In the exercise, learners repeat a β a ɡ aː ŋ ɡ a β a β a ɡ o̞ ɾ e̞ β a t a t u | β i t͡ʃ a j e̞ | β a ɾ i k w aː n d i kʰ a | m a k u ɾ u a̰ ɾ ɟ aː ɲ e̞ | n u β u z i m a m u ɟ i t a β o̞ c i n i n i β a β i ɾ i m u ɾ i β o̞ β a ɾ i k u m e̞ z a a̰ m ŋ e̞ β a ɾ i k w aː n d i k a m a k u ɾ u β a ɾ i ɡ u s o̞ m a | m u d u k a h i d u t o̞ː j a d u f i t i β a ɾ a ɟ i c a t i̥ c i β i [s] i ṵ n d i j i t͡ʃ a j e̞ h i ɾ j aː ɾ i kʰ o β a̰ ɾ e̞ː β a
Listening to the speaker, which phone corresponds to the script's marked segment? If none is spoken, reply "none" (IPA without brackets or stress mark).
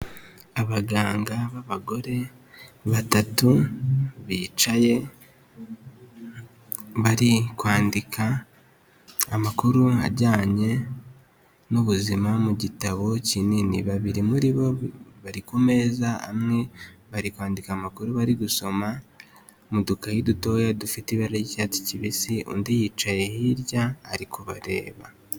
s